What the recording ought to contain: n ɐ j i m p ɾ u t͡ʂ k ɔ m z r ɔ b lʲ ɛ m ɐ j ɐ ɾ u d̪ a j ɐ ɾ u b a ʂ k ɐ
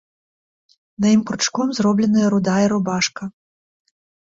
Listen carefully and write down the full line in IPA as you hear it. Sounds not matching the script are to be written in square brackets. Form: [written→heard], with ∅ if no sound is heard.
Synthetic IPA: n ɐ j i m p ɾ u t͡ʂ k ɔ m z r ɔ b lʲ ɛ [m→n] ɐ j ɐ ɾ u d̪ a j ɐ ɾ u b a ʂ k ɐ